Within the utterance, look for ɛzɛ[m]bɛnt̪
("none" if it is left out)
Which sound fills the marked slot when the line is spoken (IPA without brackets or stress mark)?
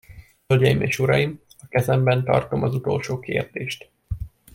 m